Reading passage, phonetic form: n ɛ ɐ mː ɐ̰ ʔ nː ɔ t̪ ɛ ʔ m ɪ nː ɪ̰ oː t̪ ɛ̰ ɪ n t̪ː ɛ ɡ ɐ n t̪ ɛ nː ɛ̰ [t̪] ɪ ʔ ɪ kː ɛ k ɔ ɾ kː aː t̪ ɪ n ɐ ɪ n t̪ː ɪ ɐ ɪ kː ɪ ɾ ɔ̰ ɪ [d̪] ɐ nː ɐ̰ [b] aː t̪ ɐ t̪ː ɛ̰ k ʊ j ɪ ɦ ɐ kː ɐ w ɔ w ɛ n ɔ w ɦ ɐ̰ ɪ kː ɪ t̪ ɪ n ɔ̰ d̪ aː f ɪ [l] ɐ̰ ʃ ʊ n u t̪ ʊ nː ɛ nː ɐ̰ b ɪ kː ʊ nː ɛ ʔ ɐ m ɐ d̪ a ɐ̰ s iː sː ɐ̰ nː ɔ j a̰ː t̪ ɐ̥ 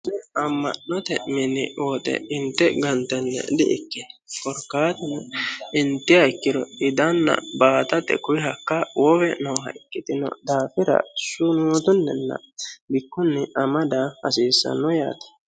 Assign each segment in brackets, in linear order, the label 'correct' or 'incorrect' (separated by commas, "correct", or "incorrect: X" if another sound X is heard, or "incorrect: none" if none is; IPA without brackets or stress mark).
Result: incorrect: d̪, correct, correct, incorrect: ɾ